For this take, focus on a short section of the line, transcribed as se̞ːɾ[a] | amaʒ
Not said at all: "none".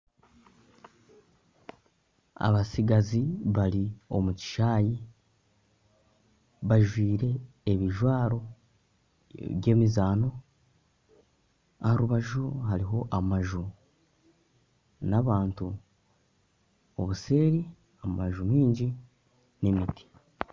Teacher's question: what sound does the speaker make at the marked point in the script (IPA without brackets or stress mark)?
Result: i